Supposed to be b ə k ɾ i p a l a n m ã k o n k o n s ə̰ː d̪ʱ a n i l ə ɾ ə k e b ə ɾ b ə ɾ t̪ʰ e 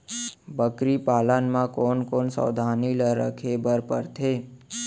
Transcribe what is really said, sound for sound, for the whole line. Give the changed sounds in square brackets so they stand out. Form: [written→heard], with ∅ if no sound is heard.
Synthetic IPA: b ə k ɾ i p a l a n m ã k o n k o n s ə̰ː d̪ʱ a n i l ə ɾ ə [k→kʰ] e b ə ɾ [b→p] ə ɾ t̪ʰ e